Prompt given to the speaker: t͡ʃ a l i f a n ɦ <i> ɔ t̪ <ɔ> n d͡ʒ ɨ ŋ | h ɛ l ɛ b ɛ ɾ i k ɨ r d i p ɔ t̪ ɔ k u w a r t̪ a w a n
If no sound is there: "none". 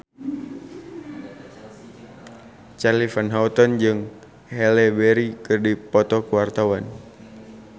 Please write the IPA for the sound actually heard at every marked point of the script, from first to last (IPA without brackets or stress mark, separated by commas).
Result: a, ɔ